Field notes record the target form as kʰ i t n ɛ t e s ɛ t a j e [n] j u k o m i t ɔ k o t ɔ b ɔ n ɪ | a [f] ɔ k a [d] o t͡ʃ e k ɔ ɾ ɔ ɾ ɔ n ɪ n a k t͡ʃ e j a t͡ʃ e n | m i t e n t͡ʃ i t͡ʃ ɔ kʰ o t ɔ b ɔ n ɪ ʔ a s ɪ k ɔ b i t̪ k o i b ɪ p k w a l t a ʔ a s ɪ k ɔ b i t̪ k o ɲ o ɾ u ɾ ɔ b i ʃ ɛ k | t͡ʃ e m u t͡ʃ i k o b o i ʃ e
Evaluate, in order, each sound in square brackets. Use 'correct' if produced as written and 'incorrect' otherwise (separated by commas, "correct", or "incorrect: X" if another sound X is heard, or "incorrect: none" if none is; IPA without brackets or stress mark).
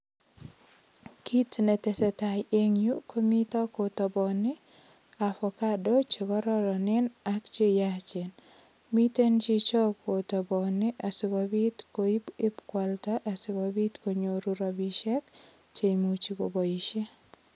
incorrect: ŋ, correct, correct